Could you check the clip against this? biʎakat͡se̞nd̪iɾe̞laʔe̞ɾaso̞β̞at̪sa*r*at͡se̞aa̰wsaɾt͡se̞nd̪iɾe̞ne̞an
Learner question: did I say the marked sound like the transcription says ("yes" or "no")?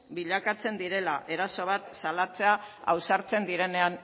no